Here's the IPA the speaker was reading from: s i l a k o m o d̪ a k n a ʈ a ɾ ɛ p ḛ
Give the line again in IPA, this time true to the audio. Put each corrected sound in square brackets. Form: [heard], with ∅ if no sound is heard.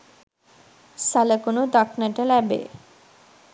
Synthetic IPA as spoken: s [a] l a k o [n] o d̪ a k n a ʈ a [l] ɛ [b] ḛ